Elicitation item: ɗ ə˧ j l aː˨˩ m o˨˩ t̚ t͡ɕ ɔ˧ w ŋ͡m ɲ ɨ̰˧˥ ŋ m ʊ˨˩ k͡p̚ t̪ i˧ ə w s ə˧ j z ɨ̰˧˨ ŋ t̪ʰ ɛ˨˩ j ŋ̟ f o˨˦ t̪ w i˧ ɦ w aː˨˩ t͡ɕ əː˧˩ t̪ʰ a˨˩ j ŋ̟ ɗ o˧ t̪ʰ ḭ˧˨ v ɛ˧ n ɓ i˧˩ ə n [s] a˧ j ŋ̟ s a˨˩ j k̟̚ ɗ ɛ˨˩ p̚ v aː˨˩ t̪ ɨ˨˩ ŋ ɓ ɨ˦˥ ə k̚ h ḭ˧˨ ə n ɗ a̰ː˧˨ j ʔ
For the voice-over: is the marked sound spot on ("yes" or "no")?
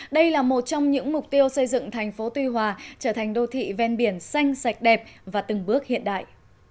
yes